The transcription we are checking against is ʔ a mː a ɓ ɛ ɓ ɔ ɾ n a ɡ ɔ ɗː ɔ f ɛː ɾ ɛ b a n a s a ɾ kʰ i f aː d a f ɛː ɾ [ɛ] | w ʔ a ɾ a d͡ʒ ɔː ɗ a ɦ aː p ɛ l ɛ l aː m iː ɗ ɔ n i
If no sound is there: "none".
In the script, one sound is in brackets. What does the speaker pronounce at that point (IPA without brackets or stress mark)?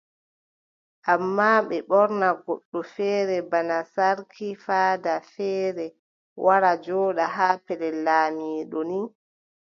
ɛ